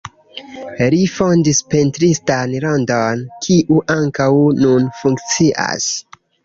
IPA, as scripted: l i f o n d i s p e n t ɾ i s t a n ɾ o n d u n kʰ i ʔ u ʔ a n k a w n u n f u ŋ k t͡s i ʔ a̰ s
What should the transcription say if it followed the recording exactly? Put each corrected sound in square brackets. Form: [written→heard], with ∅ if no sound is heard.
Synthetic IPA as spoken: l i f o n d i s p e n t ɾ i s t a n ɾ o n d [u→o] n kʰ i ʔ u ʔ a [n→ŋ] k a w n u n f u ŋ k t͡s i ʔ a̰ s